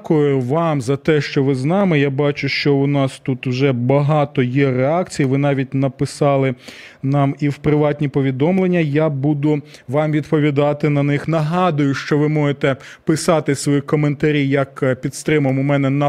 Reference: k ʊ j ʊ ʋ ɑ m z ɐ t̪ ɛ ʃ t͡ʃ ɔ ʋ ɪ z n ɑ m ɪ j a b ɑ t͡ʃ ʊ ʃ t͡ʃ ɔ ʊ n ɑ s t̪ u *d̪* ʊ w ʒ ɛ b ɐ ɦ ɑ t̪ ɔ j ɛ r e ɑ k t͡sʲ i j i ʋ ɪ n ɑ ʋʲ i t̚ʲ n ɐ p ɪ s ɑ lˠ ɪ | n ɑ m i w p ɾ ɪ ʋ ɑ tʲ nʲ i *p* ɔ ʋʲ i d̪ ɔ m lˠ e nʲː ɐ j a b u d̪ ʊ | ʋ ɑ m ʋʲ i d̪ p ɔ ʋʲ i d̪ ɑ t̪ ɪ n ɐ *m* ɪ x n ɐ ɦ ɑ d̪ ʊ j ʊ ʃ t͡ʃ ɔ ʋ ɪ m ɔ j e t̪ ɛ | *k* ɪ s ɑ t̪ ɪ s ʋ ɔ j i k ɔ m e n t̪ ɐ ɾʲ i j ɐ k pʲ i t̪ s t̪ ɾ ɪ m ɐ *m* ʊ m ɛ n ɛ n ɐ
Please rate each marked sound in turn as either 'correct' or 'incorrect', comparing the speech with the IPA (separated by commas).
incorrect, correct, incorrect, incorrect, correct